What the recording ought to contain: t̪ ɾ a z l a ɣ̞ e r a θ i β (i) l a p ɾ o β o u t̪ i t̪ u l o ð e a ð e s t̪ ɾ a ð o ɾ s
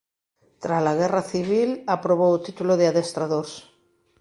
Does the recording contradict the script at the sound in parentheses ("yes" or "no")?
no